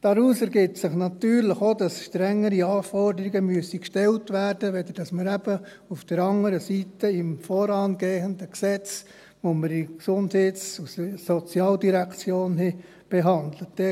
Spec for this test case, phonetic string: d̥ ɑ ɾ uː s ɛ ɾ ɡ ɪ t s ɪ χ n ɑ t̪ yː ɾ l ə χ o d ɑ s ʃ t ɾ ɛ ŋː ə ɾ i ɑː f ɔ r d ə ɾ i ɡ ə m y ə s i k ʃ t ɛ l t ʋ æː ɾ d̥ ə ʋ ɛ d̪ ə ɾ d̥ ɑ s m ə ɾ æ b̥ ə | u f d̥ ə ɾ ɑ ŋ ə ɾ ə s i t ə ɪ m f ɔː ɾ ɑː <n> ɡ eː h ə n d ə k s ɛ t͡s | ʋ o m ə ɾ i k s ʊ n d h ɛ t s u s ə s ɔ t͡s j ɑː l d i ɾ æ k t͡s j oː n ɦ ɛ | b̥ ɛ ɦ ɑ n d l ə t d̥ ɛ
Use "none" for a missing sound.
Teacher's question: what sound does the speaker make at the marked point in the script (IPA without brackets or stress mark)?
n